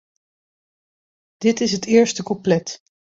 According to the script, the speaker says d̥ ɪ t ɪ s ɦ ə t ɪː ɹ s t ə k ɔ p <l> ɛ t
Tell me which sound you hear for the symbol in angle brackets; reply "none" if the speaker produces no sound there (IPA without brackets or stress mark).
l